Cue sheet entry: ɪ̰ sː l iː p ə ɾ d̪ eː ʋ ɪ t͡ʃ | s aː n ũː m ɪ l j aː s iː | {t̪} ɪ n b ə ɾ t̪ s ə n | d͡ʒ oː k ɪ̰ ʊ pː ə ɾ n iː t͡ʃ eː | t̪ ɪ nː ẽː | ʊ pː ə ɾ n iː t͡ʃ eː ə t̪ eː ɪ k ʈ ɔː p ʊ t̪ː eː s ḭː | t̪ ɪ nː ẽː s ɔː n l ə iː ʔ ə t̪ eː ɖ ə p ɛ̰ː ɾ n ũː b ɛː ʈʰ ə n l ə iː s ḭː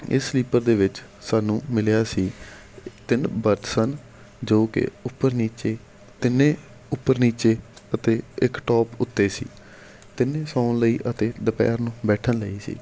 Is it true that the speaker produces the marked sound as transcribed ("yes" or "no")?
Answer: yes